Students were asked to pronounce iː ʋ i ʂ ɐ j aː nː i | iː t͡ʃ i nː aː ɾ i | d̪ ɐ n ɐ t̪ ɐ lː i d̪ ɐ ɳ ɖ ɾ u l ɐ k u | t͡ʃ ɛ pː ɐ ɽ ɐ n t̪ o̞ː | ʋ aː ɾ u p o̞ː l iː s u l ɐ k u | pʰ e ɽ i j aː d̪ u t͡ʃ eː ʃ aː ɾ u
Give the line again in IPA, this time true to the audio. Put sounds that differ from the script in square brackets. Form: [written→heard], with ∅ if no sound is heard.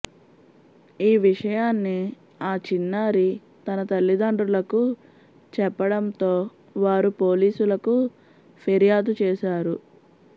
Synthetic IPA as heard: iː ʋ i ʂ ɐ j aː nː i | [iː→aː] t͡ʃ i nː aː ɾ i | [d̪→t̪] ɐ n ɐ t̪ ɐ lː i d̪ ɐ ɳ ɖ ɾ u l ɐ k u | t͡ʃ ɛ pː ɐ ɽ ɐ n t̪ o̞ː | ʋ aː ɾ u p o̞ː l iː s u l ɐ k u | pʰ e [ɽ→ɾ] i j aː d̪ u t͡ʃ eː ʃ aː ɾ u